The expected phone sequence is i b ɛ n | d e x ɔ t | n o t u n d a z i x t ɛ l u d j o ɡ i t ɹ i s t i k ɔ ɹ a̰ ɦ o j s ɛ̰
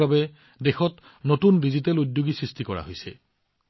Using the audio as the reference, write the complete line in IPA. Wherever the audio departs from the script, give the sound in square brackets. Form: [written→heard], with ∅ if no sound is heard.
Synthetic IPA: [i→a] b ɛ [n→∅] | d e x ɔ t | n o t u n d [a→i] z i [x→∅] t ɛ l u d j o ɡ i [t→s] ɹ i s t i k ɔ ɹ a̰ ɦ o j s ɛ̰